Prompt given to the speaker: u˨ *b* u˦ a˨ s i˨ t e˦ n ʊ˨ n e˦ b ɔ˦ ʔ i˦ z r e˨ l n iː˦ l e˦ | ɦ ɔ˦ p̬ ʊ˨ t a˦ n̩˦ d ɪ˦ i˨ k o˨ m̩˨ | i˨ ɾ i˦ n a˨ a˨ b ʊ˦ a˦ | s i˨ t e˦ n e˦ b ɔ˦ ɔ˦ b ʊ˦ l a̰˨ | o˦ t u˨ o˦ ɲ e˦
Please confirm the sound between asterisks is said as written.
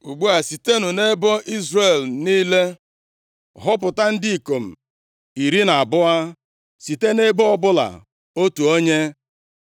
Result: no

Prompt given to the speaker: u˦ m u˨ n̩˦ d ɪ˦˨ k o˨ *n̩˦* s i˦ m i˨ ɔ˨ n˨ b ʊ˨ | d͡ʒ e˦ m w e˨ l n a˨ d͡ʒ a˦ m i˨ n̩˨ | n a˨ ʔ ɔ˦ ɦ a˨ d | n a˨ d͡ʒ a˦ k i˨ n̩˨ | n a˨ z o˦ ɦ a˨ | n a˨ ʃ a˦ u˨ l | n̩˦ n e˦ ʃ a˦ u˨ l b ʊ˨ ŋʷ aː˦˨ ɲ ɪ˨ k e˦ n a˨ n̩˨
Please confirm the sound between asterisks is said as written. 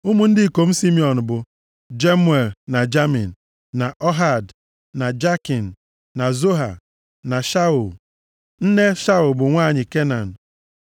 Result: no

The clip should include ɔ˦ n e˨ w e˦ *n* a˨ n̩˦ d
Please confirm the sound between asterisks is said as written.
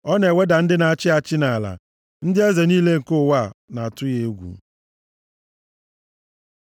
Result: no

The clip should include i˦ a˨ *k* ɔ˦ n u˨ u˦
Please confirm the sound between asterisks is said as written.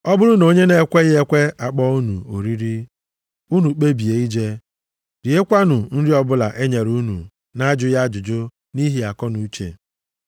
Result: yes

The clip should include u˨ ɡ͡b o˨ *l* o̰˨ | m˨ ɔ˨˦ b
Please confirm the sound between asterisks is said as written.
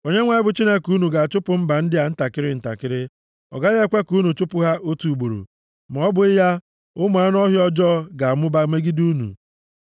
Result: no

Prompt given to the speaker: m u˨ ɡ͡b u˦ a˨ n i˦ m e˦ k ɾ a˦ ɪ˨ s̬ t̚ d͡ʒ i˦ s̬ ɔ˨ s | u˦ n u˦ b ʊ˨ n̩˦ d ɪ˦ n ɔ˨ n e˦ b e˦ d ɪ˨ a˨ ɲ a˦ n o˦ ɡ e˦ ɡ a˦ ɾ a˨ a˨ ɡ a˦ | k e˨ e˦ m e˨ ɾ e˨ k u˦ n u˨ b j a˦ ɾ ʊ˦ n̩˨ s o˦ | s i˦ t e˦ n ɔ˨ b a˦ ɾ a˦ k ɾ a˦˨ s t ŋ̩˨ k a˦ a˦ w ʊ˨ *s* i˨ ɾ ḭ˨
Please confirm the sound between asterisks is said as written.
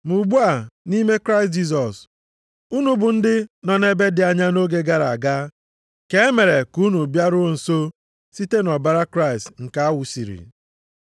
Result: yes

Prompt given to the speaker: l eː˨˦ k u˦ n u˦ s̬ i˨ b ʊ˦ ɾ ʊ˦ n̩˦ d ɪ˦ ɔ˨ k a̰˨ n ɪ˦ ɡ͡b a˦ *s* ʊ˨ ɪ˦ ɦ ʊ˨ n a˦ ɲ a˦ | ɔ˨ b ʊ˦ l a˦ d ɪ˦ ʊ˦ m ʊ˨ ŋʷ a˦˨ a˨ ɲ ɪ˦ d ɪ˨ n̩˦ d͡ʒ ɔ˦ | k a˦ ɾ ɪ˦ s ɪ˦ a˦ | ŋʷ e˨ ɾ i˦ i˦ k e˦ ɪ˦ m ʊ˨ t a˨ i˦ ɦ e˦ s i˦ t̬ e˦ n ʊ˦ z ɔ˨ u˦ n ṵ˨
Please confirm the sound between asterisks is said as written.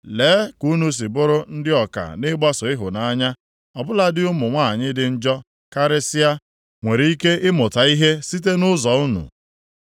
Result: yes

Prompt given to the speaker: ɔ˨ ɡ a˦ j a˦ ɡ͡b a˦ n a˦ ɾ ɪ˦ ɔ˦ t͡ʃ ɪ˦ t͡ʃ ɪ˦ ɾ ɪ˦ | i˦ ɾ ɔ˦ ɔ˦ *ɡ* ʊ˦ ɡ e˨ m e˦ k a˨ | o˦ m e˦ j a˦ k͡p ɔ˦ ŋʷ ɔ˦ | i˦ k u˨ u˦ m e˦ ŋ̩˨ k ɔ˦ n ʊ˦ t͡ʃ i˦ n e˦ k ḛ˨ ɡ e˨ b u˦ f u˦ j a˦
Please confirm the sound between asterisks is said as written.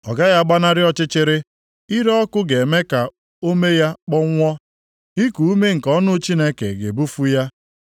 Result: no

